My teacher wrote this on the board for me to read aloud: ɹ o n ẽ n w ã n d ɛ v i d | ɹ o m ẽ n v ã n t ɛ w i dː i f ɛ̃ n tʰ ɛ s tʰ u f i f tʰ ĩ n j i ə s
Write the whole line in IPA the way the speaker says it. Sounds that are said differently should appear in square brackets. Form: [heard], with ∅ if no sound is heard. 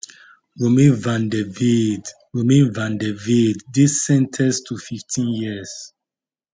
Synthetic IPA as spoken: ɹ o [m] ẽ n [v] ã n d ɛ v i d | ɹ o m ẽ n v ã n [d] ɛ [v] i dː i [s] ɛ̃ n tʰ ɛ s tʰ u f i f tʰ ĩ n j i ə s